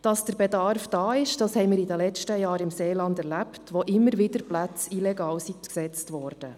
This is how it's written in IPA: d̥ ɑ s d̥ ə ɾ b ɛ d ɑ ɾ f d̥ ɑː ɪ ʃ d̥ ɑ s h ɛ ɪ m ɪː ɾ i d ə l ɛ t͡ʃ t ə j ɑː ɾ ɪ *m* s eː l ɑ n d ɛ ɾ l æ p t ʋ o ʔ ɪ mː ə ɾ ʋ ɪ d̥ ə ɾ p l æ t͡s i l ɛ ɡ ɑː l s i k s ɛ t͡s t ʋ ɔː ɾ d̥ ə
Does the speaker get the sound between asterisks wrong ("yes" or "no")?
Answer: no